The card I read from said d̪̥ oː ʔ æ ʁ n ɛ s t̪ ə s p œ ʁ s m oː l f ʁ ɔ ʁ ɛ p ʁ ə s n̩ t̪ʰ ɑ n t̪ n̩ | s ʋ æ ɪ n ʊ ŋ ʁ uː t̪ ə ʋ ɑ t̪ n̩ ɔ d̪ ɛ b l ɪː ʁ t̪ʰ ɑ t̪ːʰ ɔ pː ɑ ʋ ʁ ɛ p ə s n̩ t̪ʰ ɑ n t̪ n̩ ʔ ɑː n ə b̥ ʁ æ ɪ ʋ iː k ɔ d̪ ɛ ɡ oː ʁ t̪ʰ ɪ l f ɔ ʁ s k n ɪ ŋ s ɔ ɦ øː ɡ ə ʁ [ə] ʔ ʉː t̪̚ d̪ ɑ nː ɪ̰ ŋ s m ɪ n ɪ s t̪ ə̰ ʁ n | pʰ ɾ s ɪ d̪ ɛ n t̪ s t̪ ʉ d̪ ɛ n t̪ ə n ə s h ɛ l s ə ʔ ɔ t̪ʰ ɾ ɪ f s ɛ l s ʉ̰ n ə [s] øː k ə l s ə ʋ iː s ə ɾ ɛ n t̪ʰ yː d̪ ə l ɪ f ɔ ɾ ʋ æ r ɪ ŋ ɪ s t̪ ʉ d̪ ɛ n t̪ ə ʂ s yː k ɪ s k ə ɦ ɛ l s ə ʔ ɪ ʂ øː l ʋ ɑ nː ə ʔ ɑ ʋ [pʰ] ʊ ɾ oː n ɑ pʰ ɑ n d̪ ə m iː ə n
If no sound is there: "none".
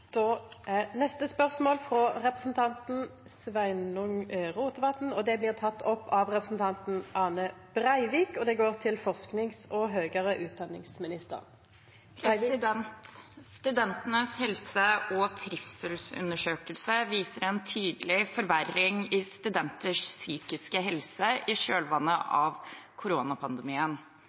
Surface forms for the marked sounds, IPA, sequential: ə, ʂ, kʰ

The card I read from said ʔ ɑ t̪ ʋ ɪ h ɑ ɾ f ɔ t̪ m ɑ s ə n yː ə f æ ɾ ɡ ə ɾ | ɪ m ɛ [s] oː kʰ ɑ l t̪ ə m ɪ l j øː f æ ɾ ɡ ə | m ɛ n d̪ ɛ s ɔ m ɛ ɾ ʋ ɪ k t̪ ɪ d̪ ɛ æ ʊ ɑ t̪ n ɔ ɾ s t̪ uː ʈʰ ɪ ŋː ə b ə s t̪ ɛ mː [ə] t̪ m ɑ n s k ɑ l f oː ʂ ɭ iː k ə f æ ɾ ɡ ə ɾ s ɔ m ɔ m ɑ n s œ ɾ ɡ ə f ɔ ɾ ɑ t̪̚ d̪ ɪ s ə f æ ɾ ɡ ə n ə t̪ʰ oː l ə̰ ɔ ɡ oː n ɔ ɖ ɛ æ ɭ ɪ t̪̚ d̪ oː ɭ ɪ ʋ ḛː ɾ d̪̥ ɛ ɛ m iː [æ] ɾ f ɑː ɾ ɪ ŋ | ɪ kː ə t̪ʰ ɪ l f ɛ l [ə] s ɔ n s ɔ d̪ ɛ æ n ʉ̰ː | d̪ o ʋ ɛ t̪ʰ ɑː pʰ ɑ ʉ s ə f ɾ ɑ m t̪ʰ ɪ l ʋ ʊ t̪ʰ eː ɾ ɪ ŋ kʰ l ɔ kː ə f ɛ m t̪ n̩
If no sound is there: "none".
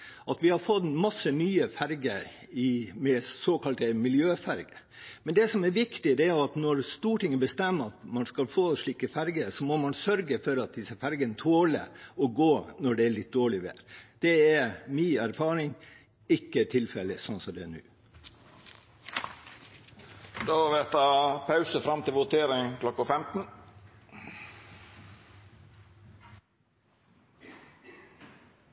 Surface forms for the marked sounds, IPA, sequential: s, ɑ, æ, ə

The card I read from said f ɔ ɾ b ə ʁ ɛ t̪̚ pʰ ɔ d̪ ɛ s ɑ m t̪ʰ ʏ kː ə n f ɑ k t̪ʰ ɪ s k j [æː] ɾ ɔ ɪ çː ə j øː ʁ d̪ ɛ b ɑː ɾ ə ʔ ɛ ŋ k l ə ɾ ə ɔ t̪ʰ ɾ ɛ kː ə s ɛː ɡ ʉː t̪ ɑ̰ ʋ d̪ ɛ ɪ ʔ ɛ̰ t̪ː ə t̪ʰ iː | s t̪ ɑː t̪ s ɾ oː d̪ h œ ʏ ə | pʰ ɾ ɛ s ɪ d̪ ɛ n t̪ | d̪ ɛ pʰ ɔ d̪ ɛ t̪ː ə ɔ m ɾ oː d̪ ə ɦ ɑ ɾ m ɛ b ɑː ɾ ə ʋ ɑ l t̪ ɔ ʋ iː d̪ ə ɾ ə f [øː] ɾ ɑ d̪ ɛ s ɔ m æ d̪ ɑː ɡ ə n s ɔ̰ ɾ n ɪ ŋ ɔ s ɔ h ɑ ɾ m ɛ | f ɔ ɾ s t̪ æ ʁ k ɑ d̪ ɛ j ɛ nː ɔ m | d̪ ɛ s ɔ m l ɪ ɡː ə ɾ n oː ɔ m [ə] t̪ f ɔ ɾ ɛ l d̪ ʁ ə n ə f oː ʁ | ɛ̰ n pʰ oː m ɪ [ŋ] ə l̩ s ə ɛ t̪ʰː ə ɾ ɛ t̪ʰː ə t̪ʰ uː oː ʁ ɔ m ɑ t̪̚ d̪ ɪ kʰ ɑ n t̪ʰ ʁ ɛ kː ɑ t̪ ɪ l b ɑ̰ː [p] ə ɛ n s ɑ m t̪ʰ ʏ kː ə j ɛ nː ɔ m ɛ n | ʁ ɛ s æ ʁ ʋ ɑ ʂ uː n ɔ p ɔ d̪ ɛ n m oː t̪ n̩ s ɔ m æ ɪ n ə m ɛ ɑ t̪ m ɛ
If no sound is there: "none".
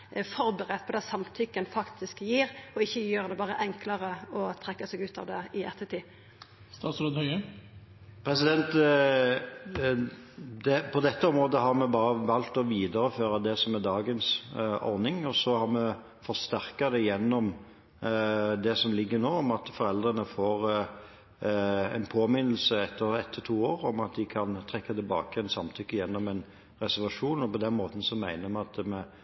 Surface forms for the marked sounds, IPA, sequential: iː, øː, ɑ, n, k

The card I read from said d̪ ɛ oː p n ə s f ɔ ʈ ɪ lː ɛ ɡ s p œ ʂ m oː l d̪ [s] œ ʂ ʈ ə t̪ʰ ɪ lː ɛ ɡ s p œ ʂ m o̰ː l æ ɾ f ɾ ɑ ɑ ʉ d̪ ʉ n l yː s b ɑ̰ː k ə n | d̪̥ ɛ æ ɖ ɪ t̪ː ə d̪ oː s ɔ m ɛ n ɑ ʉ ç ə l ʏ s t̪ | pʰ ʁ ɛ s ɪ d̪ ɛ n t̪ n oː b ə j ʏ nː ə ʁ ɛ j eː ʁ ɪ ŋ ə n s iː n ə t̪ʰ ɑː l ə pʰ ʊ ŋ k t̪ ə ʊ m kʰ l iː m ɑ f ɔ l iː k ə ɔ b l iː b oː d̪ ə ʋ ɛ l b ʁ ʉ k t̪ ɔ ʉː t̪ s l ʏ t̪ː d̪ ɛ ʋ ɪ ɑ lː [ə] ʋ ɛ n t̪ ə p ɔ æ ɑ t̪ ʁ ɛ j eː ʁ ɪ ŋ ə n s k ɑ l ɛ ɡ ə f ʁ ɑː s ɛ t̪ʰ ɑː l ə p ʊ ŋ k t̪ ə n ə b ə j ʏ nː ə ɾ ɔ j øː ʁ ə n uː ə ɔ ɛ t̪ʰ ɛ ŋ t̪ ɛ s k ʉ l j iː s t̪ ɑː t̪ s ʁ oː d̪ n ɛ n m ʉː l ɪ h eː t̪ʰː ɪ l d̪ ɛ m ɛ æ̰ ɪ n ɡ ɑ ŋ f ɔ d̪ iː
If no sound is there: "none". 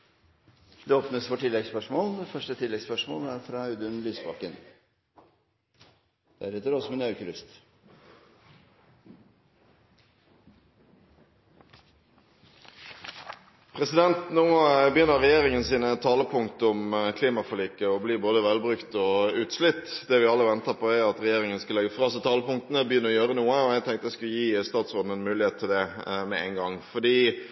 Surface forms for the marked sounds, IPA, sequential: f, ə

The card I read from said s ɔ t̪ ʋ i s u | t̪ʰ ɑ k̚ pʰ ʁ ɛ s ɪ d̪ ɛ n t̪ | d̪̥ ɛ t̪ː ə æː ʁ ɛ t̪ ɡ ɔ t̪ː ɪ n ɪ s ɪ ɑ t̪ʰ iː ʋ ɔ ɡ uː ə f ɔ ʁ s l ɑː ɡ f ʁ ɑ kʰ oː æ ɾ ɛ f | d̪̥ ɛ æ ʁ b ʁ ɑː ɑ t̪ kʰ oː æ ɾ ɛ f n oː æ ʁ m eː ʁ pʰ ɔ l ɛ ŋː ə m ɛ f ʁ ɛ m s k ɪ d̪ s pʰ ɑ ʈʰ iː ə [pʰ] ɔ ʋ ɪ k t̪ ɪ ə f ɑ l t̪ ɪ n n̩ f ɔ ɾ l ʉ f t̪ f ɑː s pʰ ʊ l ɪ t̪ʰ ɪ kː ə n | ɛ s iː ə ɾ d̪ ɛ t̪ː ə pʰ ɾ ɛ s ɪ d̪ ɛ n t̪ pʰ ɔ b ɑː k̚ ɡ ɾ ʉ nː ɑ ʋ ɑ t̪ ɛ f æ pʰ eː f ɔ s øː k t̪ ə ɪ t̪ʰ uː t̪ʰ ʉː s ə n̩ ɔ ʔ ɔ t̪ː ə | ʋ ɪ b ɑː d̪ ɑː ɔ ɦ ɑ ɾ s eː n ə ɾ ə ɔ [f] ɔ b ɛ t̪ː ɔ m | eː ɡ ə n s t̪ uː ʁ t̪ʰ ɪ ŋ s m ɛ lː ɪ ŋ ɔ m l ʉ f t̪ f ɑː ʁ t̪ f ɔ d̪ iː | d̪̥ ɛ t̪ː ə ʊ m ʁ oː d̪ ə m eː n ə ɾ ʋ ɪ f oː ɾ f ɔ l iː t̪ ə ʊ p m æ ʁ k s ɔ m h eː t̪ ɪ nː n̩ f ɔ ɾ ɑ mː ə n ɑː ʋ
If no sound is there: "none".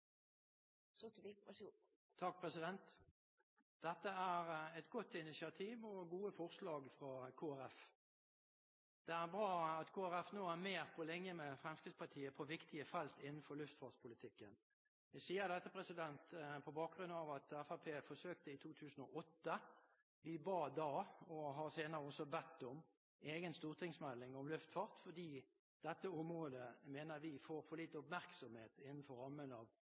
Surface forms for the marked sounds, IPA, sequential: pʰ, s

